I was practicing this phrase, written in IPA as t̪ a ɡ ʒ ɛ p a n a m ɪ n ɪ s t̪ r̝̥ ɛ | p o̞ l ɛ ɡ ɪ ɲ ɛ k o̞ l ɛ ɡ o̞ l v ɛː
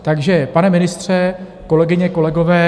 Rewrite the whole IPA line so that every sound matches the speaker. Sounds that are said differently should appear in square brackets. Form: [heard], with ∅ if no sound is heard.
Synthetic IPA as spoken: t̪ a ɡ ʒ ɛ p a n [ɛ] m ɪ n ɪ s t̪ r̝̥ ɛ | [k] o̞ l ɛ ɡ ɪ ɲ ɛ k o̞ l ɛ ɡ o̞ [∅] v ɛː